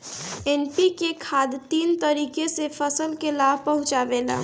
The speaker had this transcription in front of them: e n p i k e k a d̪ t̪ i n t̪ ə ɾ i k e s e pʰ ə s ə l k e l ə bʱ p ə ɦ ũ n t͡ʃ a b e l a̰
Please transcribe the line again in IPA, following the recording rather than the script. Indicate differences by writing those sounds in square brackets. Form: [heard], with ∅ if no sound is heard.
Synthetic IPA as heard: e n p i k e [kʰ] a d̪ t̪ i n t̪ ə ɾ i k e s e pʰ ə s ə l k e l [a] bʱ p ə ɦ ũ [∅] t͡ʃ a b e l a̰